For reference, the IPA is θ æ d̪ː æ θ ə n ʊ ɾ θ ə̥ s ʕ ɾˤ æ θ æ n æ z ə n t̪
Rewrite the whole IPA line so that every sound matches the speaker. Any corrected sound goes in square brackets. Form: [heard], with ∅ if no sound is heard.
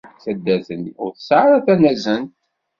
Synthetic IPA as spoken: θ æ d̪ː æ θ ə n ʊ ɾ θ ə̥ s ʕ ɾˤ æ θ æ n æ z ə n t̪